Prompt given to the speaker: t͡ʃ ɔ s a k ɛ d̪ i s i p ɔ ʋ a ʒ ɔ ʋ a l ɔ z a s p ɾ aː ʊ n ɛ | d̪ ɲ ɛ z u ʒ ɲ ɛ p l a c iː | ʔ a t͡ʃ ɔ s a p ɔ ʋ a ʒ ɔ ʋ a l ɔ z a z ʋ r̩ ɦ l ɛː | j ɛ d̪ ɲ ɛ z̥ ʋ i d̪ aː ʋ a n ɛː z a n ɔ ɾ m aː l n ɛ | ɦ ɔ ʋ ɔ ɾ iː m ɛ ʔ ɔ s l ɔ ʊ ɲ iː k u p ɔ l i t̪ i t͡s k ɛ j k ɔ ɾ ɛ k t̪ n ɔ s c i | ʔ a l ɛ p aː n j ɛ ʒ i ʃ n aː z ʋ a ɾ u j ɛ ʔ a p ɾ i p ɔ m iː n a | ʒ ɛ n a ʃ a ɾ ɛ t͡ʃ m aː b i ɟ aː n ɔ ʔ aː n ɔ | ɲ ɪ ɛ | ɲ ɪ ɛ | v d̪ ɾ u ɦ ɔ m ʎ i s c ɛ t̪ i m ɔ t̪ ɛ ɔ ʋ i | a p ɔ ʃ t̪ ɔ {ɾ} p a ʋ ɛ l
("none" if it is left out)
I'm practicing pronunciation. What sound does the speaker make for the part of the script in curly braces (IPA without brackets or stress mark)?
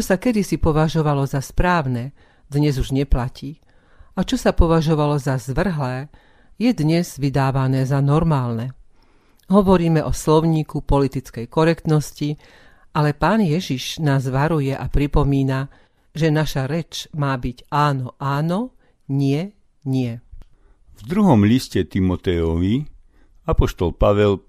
l